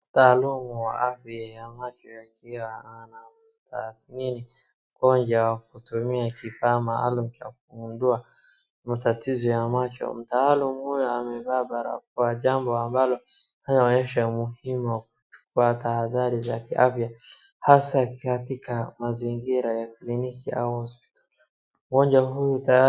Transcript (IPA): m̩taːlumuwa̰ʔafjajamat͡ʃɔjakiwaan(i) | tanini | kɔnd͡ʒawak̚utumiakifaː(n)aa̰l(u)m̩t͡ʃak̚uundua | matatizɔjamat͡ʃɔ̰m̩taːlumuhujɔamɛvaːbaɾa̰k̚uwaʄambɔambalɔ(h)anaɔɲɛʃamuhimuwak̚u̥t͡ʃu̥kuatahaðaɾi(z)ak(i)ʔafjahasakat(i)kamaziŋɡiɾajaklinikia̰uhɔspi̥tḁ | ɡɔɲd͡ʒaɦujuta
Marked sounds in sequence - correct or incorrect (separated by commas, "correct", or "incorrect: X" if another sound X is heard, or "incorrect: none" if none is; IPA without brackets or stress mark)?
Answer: incorrect: a, incorrect: m, correct, correct, correct, correct, correct